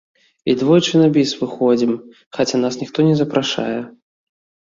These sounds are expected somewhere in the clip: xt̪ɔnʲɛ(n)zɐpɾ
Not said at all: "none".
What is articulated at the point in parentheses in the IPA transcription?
none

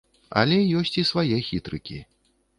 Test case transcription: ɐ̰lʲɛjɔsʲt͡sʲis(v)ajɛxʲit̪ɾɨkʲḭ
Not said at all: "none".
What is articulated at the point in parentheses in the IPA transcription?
v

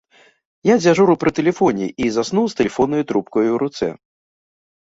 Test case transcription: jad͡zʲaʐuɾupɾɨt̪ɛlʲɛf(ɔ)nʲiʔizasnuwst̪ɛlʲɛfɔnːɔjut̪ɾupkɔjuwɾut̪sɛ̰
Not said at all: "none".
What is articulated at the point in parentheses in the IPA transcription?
ɔ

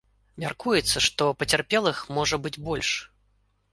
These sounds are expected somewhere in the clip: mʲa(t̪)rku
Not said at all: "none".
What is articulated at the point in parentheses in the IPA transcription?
none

